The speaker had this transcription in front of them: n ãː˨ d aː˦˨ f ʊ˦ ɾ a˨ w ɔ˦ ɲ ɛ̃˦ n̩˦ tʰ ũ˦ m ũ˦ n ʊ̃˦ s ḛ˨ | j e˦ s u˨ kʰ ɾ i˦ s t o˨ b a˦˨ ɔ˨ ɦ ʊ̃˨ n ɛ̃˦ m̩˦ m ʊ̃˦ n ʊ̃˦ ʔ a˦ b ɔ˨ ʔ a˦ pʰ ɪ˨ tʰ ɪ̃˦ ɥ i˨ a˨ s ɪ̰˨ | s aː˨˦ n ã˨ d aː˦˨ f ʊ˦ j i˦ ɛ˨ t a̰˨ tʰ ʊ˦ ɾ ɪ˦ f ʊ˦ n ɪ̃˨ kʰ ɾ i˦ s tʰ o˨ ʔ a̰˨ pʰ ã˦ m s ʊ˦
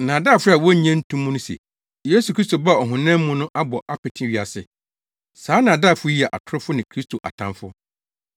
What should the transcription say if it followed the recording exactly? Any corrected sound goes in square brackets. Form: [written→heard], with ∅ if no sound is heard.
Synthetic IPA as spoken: n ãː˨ d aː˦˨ f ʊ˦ ɾ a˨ w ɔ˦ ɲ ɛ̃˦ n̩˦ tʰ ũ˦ m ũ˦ n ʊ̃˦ s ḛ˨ | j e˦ s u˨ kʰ ɾ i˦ s t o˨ b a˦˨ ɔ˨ ɦ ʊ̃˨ n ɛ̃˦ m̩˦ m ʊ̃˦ n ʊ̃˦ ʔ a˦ b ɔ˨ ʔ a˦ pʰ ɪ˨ tʰ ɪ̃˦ ɥ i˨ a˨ s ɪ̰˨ | s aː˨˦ n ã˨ d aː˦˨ f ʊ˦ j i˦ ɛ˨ [t→ʔ] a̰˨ tʰ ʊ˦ ɾ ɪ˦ f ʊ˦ n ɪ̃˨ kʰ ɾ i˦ s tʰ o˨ ʔ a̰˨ [pʰ→tʰ] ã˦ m [s→f] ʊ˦